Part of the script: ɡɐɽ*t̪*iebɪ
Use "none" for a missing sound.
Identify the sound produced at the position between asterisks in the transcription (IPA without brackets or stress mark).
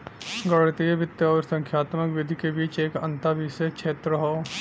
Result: t̪